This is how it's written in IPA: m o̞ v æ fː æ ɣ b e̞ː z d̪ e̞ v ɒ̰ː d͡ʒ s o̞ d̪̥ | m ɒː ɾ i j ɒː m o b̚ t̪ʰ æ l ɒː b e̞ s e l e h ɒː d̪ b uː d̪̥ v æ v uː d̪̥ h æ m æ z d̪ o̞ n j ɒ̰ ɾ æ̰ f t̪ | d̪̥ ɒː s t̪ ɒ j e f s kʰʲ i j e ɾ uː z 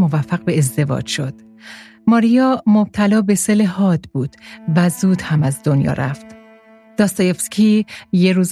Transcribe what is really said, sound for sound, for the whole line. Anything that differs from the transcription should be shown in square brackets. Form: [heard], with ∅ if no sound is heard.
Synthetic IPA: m o̞ v æ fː æ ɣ b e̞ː z d̪ e̞ v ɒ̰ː d͡ʒ [ʃ] o̞ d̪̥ | m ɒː ɾ i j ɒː m o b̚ t̪ʰ æ l ɒː b e̞ s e l e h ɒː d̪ b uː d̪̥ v æ [z] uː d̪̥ h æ m æ z d̪ o̞ n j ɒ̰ ɾ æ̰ f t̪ | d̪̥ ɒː s t̪ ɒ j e f s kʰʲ i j e ɾ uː z